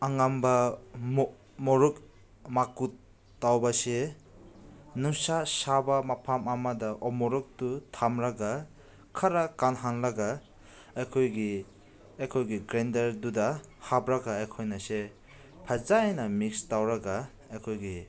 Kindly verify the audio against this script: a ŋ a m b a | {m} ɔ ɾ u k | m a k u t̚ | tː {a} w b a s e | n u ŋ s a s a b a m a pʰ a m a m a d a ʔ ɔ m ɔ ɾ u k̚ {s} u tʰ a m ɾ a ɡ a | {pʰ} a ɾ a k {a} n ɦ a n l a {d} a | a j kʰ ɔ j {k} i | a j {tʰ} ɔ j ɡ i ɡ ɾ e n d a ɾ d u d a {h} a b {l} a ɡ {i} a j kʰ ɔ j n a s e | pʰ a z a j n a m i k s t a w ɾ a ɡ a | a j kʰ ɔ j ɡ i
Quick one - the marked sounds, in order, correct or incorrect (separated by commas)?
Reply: correct, correct, incorrect, incorrect, correct, incorrect, incorrect, incorrect, correct, incorrect, incorrect